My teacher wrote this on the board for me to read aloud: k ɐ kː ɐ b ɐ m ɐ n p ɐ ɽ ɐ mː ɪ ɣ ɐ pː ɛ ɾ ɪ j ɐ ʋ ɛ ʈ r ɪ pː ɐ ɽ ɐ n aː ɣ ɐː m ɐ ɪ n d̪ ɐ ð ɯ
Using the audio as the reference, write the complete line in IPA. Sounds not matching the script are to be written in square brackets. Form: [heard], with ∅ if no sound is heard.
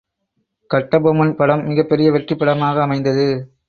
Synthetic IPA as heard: k ɐ [ʈː] ɐ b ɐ m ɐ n p ɐ ɽ ɐ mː ɪ ɣ ɐ pː ɛ ɾ ɪ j ɐ ʋ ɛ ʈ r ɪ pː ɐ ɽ ɐ [m] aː ɣ ɐː m ɐ ɪ n d̪ ɐ ð ɯ

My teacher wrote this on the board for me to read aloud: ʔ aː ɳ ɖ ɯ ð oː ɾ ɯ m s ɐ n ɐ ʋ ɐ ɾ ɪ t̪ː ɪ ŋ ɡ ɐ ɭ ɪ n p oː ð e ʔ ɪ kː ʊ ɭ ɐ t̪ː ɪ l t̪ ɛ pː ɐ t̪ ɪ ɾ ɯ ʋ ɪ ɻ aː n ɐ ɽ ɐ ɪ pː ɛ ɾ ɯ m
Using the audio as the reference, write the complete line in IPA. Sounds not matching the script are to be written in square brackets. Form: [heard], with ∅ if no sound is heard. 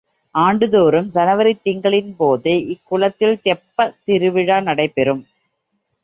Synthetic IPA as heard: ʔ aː ɳ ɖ ɯ ð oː ɾ ɯ m s ɐ n ɐ ʋ ɐ ɾ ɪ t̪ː ɪ ŋ ɡ ɐ ɭ ɪ n p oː ð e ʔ ɪ kː ʊ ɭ ɐ t̪ː ɪ l t̪ ɛ pː ɐ t̪ ɪ ɾ ɯ ʋ ɪ ɻ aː n ɐ ɽ ɐ ɪ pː ɛ ɾ ɯ m

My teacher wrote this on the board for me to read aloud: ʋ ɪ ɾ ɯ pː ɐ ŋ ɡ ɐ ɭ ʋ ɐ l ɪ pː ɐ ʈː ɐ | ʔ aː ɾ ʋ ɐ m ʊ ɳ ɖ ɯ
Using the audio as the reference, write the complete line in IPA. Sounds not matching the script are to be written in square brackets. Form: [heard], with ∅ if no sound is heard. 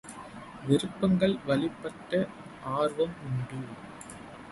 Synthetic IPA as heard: ʋ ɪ ɾ ɯ pː ɐ ŋ ɡ ɐ ɭ ʋ ɐ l ɪ pː ɐ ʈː ɐ | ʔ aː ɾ ʋ ɐ m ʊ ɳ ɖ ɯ

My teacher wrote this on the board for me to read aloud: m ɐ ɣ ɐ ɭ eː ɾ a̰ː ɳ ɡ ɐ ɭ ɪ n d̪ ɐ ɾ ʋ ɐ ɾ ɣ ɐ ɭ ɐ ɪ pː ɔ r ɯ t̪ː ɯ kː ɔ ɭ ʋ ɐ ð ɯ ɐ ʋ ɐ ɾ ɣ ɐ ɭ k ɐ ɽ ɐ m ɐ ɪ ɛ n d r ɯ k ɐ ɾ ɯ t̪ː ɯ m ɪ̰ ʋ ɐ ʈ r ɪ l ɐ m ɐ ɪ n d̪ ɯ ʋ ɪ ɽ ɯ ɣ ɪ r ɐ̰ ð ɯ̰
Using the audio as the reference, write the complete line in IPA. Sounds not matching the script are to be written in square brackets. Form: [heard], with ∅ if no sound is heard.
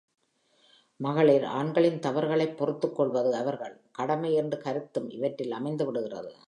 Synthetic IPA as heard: m ɐ ɣ ɐ ɭ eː ɾ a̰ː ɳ ɡ ɐ ɭ ɪ n [t̪] ɐ [∅] ʋ ɐ ɾ ɣ ɐ ɭ ɐ ɪ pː ɔ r ɯ t̪ː ɯ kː ɔ ɭ ʋ ɐ ð ɯ ɐ ʋ ɐ ɾ ɣ ɐ ɭ k ɐ ɽ ɐ m ɐ ɪ ɛ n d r ɯ k ɐ ɾ ɯ t̪ː ɯ m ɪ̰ ʋ ɐ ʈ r ɪ l ɐ m ɐ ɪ n d̪ ɯ ʋ ɪ ɽ ɯ ɣ ɪ r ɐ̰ ð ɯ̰

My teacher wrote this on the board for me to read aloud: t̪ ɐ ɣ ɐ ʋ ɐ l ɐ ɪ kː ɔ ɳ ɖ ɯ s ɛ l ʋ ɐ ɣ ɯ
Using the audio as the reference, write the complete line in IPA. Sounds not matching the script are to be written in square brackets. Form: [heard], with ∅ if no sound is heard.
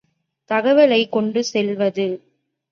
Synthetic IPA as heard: t̪ ɐ ɣ ɐ ʋ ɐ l ɐ ɪ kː ɔ ɳ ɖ ɯ s ɛ l ʋ ɐ [ð] ɯ

